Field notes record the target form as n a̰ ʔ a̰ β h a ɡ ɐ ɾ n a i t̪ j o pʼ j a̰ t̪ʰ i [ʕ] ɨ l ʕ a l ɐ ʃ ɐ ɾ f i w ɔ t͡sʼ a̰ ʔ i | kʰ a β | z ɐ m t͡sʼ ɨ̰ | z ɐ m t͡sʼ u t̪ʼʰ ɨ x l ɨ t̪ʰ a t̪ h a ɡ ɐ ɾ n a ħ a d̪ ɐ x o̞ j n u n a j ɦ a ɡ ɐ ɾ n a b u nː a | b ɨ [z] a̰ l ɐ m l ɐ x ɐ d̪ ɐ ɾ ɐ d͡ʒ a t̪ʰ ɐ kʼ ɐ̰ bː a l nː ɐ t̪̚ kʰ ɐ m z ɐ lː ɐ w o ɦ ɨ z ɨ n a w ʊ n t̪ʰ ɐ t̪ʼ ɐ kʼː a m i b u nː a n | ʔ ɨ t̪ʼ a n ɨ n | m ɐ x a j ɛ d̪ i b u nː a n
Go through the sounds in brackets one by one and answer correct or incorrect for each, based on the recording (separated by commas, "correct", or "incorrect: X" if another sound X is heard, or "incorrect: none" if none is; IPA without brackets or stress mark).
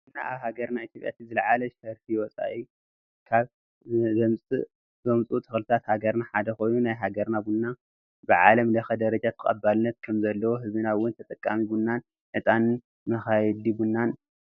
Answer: incorrect: z, incorrect: ʕ